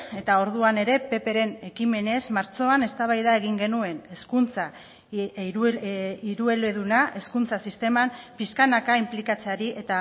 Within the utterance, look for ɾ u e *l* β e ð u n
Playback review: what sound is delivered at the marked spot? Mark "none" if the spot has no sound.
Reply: l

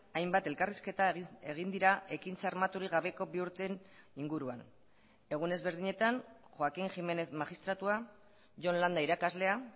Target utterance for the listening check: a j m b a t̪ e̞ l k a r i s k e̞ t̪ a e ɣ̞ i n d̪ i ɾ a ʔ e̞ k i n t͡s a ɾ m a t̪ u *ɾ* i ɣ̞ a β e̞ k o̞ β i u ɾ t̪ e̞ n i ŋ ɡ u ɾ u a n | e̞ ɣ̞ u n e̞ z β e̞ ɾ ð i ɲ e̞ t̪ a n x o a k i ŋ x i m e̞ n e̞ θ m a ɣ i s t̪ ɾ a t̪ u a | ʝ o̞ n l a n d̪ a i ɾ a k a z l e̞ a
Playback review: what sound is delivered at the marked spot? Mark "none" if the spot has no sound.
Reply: ɾ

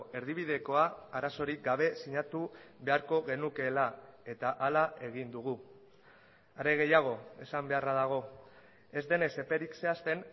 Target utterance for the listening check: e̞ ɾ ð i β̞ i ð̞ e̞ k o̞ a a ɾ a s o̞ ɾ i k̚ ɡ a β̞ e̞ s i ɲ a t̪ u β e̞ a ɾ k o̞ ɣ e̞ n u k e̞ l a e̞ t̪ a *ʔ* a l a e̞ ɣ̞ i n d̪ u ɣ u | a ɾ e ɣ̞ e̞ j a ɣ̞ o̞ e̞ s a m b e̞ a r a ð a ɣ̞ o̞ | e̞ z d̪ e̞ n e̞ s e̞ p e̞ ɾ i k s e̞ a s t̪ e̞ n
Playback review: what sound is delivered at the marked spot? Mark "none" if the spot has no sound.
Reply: ʔ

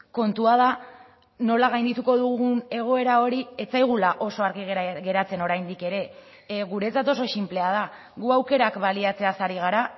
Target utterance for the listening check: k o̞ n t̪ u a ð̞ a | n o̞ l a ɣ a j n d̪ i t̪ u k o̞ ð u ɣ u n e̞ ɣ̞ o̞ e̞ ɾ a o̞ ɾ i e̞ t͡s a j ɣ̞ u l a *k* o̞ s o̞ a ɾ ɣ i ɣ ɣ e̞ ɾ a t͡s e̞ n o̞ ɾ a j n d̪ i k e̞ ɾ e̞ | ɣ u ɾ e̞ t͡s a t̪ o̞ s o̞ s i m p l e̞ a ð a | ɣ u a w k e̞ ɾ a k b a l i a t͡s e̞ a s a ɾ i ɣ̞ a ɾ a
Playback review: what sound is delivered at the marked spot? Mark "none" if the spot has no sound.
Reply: ʔ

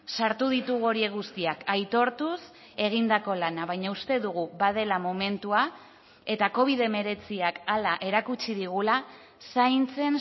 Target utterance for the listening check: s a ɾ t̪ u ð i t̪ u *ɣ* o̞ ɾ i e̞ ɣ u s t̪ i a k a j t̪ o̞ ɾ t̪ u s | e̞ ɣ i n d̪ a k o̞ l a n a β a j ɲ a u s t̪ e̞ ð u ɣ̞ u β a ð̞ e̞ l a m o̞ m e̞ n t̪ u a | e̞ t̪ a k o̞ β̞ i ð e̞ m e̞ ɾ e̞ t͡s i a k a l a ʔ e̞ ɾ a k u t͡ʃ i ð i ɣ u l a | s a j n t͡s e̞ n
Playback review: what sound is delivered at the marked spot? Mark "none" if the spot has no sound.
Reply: ɣ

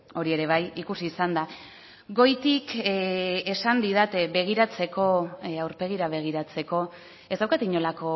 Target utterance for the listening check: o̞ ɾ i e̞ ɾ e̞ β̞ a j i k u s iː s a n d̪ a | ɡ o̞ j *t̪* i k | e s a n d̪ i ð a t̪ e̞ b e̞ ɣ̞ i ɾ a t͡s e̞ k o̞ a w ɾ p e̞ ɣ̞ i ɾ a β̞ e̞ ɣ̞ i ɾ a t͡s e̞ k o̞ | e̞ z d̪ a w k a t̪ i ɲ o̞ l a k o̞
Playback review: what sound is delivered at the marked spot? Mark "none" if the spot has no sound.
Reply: t̪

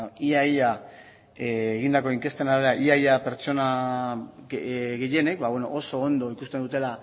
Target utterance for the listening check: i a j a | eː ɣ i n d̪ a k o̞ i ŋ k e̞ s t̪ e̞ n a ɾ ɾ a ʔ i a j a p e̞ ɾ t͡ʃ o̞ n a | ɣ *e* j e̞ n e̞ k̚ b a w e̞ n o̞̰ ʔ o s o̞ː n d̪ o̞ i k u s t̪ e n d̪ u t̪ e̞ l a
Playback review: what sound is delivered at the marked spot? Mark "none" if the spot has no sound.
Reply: e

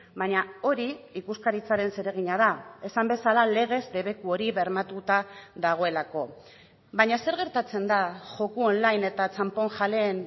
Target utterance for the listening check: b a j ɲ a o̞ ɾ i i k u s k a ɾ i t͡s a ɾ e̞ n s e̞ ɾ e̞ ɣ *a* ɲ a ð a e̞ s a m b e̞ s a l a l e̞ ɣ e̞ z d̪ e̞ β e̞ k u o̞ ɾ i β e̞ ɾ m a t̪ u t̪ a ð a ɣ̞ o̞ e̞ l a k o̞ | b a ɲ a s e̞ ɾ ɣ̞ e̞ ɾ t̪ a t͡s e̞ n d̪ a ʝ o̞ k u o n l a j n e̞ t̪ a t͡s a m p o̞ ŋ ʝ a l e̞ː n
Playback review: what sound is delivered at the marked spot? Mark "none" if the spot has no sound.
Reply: i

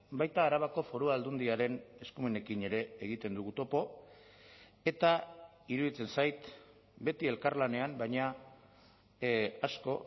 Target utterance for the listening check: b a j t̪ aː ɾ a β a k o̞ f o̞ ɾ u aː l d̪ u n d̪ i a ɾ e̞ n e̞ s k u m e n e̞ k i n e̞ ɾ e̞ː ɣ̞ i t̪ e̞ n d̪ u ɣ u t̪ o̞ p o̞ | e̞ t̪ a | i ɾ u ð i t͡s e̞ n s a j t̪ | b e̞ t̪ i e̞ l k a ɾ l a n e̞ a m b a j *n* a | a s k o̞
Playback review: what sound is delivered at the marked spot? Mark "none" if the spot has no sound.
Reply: ɲ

